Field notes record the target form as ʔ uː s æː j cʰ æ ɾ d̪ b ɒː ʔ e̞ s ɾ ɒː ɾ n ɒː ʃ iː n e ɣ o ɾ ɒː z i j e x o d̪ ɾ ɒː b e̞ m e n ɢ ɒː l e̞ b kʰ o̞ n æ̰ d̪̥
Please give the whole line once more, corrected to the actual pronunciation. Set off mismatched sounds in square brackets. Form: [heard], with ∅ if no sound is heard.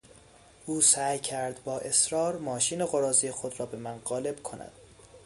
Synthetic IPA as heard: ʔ uː s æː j cʰ æ ɾ d̪ b ɒː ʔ e̞ s ɾ ɒː ɾ [m] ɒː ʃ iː n e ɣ o ɾ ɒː z i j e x o d̪ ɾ ɒː b e̞ m [æ] n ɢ ɒː l e̞ b kʰ o̞ n æ̰ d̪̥